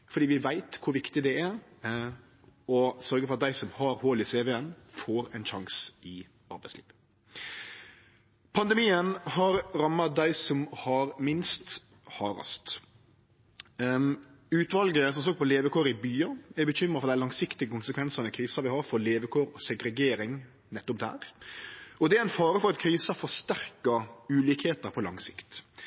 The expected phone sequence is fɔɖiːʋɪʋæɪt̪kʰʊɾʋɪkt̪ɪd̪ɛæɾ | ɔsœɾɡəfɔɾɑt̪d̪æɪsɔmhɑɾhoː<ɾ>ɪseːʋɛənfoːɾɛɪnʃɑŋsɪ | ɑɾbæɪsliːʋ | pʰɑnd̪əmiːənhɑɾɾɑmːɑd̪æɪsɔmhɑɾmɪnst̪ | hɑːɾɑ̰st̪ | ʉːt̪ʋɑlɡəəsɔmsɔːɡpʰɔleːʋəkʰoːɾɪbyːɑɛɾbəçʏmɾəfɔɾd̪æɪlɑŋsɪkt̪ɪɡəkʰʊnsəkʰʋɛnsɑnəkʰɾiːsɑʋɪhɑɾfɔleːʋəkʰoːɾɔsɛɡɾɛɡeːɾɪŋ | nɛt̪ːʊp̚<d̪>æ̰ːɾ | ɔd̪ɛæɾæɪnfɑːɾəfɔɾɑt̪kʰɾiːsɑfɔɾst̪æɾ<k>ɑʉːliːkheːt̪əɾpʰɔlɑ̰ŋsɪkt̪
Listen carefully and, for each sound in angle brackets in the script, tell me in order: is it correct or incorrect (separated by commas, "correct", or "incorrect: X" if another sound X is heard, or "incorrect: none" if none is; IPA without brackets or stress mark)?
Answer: incorrect: l, correct, correct